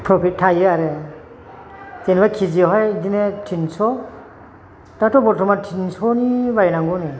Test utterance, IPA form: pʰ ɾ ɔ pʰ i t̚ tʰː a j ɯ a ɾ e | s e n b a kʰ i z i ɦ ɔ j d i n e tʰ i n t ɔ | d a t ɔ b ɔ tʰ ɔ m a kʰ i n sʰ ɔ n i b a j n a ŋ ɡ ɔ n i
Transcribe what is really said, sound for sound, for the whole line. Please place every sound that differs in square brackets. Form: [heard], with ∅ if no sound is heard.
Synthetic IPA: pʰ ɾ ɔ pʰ i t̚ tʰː a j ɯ a ɾ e | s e n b a kʰ i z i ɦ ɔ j d i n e tʰ i n [s] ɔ | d a t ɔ b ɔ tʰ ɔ m a [tʰ] i n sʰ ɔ n i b a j n a ŋ ɡ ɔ n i